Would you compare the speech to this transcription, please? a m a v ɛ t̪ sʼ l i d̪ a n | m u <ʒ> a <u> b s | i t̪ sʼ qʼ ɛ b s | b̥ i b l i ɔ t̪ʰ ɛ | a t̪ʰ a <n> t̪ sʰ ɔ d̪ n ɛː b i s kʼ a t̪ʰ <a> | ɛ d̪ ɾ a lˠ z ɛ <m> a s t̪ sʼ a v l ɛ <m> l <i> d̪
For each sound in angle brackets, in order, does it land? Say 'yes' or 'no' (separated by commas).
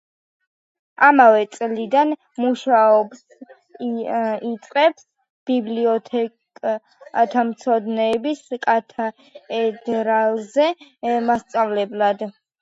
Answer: no, no, no, yes, yes, no, no